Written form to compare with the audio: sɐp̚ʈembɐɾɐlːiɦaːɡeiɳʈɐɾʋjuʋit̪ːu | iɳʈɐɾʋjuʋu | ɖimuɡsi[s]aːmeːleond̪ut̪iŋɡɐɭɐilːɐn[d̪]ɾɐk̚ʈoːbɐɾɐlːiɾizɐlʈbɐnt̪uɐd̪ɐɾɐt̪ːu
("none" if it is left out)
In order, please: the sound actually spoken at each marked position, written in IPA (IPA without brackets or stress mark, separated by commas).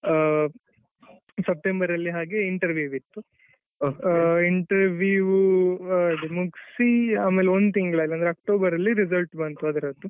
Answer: none, d̪